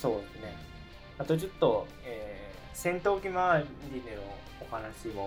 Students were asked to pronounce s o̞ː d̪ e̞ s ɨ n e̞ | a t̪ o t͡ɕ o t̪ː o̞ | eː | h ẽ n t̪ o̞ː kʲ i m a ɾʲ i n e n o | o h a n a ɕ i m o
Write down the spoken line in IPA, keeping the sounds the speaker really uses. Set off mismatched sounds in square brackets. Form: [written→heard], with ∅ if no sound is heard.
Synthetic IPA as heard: s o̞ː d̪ e̞ s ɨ n e̞ | a t̪ o t͡ɕ o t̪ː o̞ | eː | [h→s] ẽ n t̪ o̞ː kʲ i m a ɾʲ i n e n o | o h a n a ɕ i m o